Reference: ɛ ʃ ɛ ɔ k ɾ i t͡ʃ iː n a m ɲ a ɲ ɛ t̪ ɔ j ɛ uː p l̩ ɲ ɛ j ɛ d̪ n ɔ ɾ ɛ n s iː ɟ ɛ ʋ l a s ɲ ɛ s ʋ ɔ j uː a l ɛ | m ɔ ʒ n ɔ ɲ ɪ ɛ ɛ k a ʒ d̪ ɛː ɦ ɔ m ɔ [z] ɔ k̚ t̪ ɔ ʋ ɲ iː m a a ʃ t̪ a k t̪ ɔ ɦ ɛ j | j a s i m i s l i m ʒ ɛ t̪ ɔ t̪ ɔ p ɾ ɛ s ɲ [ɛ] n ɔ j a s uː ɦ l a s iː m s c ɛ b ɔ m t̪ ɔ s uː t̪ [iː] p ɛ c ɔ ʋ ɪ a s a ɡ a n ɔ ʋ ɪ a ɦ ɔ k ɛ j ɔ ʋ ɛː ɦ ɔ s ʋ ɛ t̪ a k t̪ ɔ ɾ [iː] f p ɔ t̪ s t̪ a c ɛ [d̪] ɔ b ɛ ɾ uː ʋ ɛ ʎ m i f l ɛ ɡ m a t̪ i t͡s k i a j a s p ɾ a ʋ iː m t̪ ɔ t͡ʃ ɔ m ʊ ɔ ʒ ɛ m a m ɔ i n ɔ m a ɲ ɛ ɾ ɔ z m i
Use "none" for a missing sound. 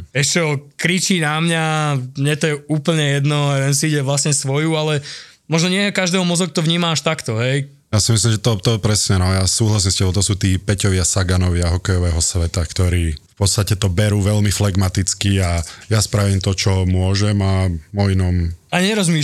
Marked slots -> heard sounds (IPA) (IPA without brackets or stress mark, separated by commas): z, ɛ, iː, iː, t̪